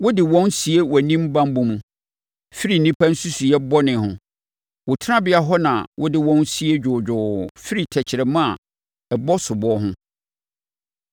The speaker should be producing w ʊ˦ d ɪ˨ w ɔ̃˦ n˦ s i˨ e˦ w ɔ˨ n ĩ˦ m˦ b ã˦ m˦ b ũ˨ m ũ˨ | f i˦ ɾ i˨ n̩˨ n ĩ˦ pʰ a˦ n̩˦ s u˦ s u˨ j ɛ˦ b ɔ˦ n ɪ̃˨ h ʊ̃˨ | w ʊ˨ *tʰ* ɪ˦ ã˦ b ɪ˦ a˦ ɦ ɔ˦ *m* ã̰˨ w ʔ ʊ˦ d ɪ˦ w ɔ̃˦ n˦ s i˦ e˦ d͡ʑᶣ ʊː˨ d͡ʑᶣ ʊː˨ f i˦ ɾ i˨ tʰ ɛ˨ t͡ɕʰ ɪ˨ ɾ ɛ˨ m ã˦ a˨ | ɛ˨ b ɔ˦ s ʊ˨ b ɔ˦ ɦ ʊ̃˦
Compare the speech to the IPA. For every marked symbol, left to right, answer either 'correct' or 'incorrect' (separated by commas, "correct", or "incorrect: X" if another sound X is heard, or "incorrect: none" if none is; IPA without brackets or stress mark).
correct, incorrect: n